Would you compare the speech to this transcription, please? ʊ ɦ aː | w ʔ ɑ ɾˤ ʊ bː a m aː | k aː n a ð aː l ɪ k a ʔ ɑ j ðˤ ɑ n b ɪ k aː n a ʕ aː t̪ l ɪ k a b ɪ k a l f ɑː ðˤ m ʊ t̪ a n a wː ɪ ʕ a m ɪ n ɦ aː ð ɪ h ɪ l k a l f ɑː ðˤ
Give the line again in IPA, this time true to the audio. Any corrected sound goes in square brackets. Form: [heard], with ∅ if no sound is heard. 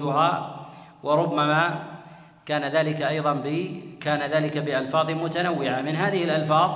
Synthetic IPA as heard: ʊ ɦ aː | w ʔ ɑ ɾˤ ʊ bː a m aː | k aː n a ð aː l ɪ k a ʔ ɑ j ðˤ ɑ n b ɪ k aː n a [ð] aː [∅] l ɪ k a b ɪ [ʔ] a l f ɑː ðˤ m ʊ t̪ a n a wː ɪ ʕ a m ɪ n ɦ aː ð ɪ h ɪ l [ʔ] a l f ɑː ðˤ